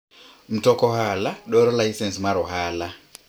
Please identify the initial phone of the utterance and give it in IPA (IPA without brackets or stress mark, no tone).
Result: m̩